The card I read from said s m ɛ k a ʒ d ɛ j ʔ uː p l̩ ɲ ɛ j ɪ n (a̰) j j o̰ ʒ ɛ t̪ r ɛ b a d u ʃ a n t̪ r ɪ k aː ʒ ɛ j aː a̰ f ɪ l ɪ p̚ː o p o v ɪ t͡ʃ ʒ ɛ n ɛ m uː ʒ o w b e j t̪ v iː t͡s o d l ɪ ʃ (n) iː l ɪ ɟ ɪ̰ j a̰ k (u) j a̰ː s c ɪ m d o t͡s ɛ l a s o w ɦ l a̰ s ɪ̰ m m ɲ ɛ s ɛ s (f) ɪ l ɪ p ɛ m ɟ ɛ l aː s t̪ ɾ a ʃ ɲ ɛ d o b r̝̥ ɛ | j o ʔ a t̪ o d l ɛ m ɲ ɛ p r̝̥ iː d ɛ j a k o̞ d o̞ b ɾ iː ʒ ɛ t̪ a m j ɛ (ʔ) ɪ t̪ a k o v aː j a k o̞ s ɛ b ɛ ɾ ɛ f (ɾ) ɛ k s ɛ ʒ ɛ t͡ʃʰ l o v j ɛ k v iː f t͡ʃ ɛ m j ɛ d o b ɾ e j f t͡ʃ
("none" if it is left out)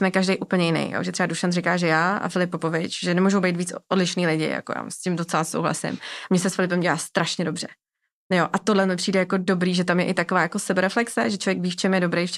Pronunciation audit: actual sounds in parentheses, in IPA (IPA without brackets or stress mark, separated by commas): ɛ̰, n, o, f, ʔ, l